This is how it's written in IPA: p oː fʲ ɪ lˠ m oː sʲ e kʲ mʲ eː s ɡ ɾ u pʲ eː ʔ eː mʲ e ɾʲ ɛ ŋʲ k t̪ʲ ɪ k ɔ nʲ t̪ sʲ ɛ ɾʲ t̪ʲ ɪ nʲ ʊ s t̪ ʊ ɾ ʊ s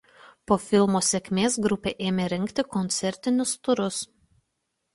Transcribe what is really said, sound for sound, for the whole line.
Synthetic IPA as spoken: p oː fʲ ɪ lˠ m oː sʲ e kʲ mʲ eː s ɡ ɾ ʊ pʲ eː ʔ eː mʲ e ɾʲ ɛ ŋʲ k t̪ʲ ɪ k ɔ nʲ t̪ sʲ ɛ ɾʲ t̪ʲ ɪ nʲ ʊ s t̪ ʊ ɾ ʊ s

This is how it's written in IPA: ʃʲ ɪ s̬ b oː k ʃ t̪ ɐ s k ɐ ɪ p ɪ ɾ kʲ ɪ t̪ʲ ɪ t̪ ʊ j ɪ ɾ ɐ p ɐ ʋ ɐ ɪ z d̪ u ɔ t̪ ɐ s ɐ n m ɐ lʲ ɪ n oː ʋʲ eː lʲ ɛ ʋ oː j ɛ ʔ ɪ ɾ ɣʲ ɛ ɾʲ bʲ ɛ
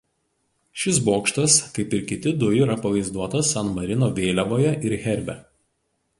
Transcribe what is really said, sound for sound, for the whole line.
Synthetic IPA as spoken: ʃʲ ɪ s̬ b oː k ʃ t̪ ɐ s k ɐ ɪ p ɪ ɾ kʲ ɪ t̪ʲ ɪ d̪ ʊ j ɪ ɾ ɐ p ɐ ʋ ɐ ɪ z d̪ u ɔ t̪ ɐ s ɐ n m ɐ ɾʲ ɪ n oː ʋʲ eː lʲ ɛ ʋ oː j ɛ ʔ ɪ ɾ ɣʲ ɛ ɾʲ bʲ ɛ

